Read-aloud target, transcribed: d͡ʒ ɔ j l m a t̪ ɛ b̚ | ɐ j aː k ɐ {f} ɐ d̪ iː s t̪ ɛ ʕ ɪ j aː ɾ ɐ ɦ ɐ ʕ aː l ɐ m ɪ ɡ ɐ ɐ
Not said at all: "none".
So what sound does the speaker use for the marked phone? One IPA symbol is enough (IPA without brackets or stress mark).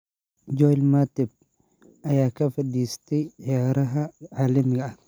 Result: f